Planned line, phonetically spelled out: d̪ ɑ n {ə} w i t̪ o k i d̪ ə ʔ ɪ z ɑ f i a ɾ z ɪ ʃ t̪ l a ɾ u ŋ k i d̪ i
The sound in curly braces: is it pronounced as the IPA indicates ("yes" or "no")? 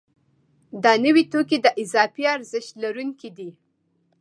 yes